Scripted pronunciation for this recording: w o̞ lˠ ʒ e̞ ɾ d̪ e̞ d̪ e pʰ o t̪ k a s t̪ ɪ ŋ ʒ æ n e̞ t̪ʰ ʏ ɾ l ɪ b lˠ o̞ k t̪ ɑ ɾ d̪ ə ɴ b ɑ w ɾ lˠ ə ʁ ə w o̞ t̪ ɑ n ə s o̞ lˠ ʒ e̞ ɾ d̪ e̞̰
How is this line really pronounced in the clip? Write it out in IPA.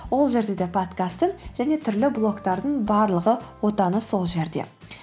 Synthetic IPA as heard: w o̞ lˠ ʒ e̞ ɾ d̪ e̞ d̪ e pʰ o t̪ k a s t̪ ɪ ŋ ʒ æ n e̞ t̪ʰ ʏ ɾ l ɪ b lˠ o̞ k t̪ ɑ ɾ d̪ ə ɴ b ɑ ɾ lˠ ə ʁ ə w o̞ t̪ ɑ n ə s o̞ lˠ ʒ e̞ ɾ d̪ e̞̰